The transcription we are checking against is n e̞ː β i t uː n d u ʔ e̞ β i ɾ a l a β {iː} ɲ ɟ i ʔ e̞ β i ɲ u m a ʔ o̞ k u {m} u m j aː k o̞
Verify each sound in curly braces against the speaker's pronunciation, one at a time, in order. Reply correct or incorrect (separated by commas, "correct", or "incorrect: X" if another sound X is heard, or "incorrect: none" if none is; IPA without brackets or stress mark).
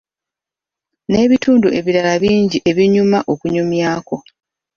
correct, incorrect: ɲ